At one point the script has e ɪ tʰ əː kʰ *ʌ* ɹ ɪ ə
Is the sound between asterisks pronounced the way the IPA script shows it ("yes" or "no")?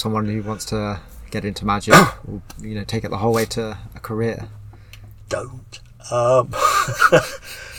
no